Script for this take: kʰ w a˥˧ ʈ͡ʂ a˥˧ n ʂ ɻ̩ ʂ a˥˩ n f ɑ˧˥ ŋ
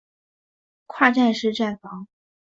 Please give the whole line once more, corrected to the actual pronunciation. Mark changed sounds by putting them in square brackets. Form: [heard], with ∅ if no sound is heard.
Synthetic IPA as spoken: kʰ w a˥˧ ʈ͡ʂ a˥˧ n ʂ ɻ̩ [ʈ͡ʂ] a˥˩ n f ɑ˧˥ ŋ